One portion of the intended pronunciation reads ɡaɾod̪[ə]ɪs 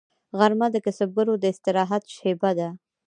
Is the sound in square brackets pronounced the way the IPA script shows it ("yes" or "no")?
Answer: yes